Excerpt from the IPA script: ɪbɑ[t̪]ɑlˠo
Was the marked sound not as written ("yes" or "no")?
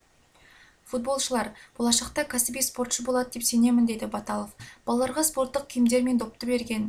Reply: no